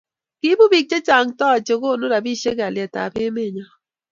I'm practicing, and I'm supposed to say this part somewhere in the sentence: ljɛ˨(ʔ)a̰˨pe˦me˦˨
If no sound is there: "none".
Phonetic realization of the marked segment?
t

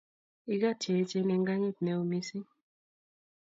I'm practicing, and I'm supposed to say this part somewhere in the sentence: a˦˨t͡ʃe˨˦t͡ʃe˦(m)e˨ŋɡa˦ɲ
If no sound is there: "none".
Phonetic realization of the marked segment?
n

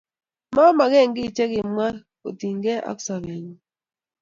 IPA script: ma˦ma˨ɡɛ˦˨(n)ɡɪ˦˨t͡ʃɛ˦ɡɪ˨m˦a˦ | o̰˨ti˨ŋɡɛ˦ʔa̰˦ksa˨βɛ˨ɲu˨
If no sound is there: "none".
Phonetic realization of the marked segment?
ŋ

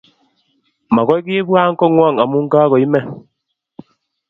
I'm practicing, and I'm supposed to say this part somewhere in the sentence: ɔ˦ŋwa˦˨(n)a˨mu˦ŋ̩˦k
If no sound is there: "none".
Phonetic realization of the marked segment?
ŋ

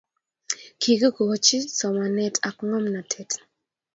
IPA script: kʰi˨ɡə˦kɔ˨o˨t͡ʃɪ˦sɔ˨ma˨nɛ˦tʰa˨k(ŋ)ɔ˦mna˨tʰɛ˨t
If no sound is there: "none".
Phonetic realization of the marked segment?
ŋ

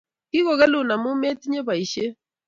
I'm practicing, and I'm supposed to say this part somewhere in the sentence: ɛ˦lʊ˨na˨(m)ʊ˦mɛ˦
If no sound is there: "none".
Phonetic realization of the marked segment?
m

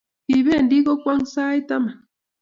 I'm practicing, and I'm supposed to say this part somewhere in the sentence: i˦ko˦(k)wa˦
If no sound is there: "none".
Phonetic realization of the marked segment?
k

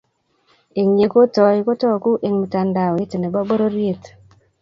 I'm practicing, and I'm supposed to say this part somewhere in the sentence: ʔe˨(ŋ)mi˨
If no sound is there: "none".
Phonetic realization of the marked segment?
ŋ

